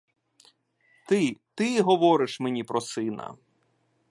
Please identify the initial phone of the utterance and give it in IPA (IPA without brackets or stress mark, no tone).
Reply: t̪